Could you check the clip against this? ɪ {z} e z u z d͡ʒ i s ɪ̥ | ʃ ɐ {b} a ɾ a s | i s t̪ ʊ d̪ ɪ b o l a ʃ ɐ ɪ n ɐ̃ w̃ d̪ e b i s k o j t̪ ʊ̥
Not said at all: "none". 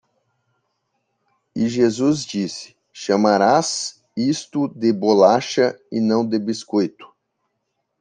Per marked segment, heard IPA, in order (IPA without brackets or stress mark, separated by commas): ʒ, m